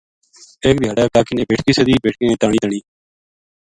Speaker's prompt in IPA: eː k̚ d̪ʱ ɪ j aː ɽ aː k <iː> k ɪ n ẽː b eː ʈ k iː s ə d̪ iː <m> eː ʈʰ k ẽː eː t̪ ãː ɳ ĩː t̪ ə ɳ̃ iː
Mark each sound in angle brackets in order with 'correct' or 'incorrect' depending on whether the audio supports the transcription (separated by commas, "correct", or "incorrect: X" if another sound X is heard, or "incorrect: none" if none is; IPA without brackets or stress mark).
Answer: incorrect: aː, incorrect: b